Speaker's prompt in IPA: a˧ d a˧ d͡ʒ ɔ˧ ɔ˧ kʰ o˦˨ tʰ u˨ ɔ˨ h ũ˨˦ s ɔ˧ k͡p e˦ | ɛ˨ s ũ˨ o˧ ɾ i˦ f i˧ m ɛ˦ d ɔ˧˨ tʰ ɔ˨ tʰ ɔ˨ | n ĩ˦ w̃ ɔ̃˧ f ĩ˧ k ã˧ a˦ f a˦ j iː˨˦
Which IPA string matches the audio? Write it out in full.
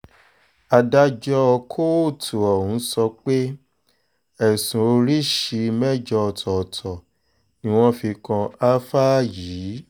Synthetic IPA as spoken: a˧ d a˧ d͡ʒ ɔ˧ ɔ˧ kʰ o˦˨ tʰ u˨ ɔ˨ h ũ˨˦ s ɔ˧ k͡p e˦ | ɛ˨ s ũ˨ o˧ ɾ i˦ ʃ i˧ m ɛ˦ d͡ʒ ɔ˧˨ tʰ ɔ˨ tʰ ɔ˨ | n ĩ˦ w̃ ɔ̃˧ f i˧ k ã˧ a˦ f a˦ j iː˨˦